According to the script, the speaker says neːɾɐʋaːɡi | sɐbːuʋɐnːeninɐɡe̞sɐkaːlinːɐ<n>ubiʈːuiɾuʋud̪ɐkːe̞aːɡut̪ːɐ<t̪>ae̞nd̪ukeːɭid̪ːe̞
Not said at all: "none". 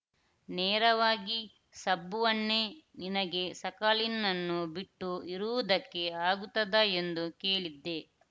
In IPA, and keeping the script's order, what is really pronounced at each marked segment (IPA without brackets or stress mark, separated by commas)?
nː, d̪